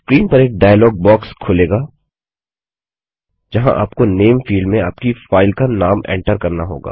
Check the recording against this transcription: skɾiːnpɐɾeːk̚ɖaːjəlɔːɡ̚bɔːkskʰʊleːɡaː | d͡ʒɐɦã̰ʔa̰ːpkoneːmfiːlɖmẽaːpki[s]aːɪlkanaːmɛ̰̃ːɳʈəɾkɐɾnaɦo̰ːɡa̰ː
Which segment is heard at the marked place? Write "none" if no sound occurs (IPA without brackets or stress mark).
f